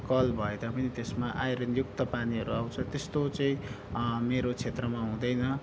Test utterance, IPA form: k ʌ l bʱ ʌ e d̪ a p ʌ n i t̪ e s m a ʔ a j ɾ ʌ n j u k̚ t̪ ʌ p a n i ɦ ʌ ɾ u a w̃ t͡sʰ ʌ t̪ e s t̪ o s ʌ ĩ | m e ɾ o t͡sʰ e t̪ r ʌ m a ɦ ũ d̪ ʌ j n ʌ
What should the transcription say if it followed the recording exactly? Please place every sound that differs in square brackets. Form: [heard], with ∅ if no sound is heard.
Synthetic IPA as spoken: k ʌ l bʱ ʌ e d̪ a p ʌ n i t̪ e s m a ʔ a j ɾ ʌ n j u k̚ t̪ ʌ p a n i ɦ ʌ ɾ u a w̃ t͡sʰ ʌ t̪ e s t̪ o [t͡s] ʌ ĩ | m e ɾ o t͡sʰ e t̪ r ʌ m a ɦ ũ d̪ ʌ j n ʌ

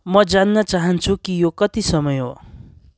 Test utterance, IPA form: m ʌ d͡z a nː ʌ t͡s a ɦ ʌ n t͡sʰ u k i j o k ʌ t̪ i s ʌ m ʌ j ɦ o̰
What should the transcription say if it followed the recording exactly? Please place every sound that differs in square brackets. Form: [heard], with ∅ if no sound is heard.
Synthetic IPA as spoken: m ʌ d͡z a nː ʌ t͡s a ɦ ʌ n t͡sʰ u k i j o k ʌ t̪ i s ʌ m ʌ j ɦ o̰

